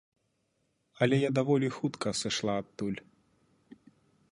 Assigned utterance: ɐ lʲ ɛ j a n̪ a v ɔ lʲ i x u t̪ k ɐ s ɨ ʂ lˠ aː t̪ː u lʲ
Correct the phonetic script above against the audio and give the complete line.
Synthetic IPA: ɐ lʲ ɛ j a d̪ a v ɔ lʲ i x u t̪ k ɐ s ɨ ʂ lˠ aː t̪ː u lʲ